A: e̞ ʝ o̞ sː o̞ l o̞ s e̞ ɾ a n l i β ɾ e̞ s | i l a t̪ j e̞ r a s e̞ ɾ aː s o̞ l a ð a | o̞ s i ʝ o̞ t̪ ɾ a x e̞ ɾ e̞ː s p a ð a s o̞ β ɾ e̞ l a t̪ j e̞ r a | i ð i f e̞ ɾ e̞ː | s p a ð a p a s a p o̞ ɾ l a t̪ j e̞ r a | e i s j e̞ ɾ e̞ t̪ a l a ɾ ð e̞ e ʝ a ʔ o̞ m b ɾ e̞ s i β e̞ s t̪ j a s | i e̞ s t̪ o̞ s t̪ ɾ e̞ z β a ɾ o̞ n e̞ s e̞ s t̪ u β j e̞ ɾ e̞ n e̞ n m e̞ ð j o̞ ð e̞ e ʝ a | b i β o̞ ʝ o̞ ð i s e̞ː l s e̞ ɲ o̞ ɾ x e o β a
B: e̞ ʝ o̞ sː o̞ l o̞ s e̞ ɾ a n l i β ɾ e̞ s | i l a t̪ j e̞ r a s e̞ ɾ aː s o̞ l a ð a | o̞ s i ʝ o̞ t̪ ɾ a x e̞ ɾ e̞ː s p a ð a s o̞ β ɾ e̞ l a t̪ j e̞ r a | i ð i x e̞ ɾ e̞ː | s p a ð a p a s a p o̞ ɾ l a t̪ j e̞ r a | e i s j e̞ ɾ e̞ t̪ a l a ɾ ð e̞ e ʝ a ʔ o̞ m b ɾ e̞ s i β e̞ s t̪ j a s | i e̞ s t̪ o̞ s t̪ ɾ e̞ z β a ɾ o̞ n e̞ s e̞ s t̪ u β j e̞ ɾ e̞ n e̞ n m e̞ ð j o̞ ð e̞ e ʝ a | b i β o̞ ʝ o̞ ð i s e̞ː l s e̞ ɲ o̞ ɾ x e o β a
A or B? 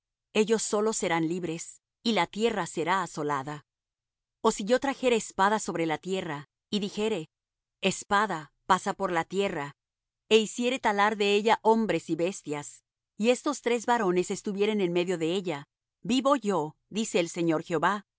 B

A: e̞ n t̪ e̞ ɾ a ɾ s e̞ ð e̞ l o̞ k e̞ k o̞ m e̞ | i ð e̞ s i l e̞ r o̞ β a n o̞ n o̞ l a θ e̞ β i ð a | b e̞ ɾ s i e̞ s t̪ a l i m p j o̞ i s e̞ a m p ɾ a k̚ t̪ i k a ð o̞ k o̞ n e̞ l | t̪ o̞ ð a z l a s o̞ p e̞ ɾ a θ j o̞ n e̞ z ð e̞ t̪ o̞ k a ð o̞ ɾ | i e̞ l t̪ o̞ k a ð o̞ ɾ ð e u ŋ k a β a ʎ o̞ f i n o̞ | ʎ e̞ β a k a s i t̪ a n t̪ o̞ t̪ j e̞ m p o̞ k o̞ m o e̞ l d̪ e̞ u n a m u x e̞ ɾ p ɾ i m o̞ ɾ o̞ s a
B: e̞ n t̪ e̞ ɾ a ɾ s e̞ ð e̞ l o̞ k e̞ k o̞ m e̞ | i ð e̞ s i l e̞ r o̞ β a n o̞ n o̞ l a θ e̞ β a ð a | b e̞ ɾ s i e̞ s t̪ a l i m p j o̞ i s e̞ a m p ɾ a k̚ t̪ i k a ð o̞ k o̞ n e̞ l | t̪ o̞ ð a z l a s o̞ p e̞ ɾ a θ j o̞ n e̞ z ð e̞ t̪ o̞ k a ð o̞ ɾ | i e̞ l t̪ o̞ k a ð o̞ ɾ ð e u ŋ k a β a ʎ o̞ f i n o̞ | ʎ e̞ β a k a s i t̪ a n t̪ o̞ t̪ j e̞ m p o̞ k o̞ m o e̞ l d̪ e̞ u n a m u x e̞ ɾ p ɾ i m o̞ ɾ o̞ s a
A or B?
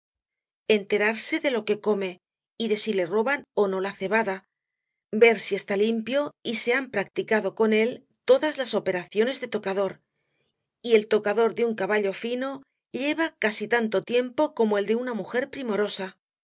B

